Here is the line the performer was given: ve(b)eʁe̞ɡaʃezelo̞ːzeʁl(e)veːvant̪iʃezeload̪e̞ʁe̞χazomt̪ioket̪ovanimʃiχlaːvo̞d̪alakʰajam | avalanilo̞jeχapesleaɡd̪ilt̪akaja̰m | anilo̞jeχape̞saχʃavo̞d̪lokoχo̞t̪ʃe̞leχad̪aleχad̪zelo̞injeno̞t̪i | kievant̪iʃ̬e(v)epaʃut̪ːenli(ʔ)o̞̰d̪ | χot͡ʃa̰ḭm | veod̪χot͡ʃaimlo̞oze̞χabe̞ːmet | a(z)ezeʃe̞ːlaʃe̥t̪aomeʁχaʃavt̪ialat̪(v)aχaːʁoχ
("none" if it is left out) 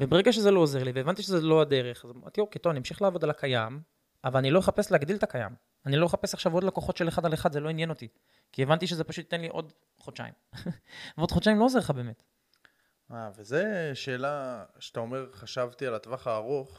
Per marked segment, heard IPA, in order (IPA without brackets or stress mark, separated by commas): b, i, z, ʔ, v, v